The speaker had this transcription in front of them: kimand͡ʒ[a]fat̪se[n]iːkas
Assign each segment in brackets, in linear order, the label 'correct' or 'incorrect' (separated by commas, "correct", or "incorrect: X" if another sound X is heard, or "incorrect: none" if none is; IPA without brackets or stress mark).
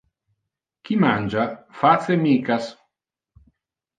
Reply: correct, incorrect: m